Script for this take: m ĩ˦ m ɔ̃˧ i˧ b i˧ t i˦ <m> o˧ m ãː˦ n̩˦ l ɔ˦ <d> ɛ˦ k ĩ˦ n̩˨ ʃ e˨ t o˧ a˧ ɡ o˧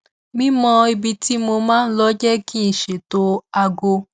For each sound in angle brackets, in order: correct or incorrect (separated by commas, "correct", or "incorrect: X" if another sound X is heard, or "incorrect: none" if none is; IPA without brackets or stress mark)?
correct, incorrect: d͡ʒ